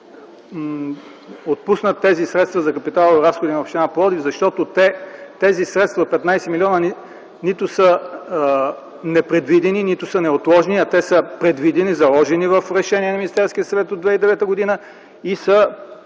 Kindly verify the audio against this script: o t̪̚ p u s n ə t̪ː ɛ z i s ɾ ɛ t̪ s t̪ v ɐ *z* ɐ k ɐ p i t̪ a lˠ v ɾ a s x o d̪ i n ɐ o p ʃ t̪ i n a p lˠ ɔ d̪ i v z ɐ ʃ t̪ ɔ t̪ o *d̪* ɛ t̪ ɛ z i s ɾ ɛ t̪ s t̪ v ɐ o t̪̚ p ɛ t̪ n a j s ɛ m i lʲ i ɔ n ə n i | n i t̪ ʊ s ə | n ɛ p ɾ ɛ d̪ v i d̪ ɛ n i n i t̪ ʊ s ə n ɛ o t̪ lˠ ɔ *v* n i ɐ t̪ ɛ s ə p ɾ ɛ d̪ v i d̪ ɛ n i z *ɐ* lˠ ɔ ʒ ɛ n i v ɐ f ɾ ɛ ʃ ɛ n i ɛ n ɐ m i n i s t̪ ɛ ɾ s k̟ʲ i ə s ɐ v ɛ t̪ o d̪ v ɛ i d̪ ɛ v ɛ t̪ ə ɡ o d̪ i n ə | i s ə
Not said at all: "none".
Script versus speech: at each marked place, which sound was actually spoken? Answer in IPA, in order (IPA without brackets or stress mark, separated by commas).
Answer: z, t̪, ʒ, ɐ